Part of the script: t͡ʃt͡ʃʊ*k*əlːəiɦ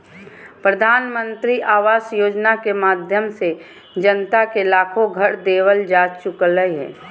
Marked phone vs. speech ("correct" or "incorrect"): correct